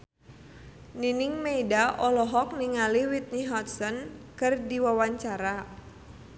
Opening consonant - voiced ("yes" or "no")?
yes